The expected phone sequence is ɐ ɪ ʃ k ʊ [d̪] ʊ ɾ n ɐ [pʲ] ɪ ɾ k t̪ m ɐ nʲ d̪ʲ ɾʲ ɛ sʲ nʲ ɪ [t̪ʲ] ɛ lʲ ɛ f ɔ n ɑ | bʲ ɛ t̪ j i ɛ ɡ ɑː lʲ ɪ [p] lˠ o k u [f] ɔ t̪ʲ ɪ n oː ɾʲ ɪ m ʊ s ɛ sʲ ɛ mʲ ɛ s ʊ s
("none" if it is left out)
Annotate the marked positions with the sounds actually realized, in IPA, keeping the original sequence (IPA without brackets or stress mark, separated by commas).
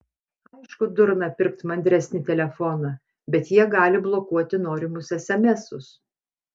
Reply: d̪, pʲ, t̪ʲ, b, none